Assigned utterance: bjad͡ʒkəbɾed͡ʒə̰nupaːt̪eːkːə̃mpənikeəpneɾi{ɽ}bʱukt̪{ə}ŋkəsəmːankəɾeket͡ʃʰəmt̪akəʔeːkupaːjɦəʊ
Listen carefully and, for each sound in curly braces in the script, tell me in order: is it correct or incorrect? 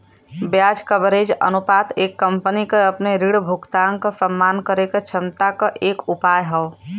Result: correct, incorrect: a

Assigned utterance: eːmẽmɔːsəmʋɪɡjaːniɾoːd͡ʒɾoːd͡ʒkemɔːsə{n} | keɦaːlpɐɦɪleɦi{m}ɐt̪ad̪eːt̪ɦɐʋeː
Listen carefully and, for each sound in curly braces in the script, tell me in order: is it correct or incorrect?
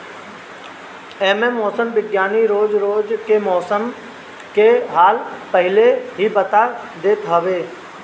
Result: incorrect: m, incorrect: b

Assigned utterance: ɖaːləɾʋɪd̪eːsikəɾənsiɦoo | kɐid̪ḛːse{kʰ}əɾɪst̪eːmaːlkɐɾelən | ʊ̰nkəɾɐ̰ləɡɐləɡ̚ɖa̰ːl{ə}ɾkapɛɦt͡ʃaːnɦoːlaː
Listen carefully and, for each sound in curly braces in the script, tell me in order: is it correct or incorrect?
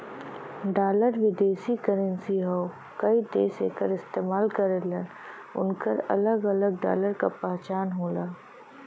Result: incorrect: k, correct

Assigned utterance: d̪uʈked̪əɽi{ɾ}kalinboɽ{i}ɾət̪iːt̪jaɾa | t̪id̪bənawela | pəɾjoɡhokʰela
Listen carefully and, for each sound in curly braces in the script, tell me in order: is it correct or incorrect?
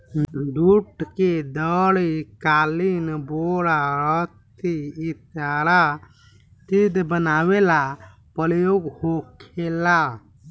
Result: incorrect: none, incorrect: a

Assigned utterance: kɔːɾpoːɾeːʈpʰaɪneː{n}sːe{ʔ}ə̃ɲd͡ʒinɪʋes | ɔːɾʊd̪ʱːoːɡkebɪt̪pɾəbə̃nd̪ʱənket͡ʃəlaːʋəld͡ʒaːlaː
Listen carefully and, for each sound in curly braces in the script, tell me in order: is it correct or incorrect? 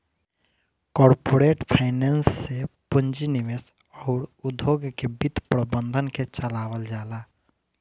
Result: correct, incorrect: p

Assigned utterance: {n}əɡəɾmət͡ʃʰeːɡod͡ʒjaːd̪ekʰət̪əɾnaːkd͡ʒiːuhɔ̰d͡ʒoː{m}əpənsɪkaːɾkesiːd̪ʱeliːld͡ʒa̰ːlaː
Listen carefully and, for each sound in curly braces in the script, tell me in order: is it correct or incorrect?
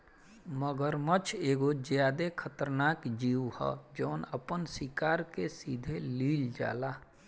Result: incorrect: m, incorrect: n

